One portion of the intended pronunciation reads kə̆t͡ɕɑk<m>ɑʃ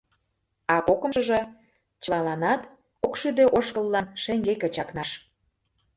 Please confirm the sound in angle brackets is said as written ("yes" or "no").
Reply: no